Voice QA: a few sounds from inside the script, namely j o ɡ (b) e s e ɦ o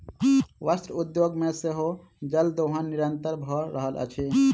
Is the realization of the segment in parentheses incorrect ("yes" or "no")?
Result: yes